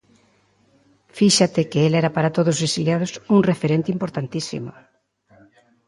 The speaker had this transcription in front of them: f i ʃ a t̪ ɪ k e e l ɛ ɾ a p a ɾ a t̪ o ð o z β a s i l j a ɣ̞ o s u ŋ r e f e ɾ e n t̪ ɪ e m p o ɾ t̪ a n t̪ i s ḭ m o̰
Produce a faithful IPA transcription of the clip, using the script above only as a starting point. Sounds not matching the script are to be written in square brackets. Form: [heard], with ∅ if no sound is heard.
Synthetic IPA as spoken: f i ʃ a t̪ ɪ k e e l ɛ ɾ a p a ɾ a t̪ o ð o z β [e] s i l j a [ð̞] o s u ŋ r e f e ɾ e n t̪ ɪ [i] m p o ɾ t̪ a n t̪ i s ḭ m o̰